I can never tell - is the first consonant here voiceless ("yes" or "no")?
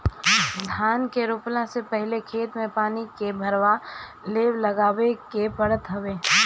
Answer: no